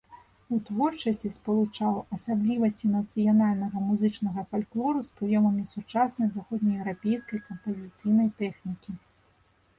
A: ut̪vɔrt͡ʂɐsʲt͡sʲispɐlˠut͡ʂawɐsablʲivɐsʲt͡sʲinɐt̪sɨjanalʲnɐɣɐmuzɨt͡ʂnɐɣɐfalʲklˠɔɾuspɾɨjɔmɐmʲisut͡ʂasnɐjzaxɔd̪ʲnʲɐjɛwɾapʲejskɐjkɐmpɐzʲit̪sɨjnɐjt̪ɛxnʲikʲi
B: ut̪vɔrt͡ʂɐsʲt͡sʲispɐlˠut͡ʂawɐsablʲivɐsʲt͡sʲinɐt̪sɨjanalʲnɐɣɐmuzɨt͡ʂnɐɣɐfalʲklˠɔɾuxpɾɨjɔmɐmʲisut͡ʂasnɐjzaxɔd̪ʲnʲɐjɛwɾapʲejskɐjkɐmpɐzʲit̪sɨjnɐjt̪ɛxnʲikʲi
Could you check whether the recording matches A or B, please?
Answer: A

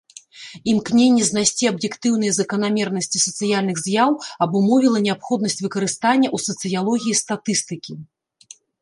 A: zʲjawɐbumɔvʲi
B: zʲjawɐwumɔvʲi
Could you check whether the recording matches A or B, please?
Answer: A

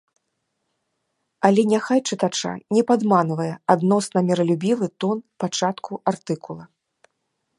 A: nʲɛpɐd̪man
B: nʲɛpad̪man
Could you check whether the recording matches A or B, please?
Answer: B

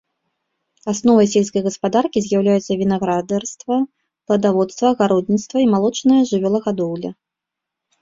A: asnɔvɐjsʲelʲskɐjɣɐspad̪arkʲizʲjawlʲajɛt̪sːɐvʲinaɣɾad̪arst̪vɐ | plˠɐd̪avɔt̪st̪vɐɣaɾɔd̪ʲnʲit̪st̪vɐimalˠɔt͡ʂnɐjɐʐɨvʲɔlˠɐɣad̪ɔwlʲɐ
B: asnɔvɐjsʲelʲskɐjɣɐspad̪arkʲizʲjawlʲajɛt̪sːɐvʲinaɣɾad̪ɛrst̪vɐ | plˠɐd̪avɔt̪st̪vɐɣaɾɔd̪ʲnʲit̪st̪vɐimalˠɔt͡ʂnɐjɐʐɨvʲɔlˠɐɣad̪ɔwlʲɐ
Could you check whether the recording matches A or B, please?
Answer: B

